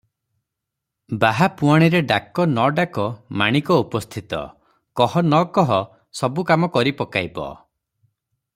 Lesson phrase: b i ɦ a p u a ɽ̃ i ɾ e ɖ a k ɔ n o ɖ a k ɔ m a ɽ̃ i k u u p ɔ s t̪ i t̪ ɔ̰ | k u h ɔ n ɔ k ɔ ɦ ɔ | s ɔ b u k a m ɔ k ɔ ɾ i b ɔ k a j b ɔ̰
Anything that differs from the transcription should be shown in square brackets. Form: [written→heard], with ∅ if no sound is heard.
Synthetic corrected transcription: b [i→a] ɦ a p u a ɽ̃ i ɾ e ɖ a k ɔ n [o→ɔ] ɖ a k ɔ m a ɽ̃ i k [u→ɔ] u p ɔ s [t̪→t̪ʰ] i t̪ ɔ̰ | k [u→ɔ] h ɔ n ɔ k ɔ ɦ ɔ | s ɔ b u k a m ɔ k ɔ ɾ i [b→p] ɔ k a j b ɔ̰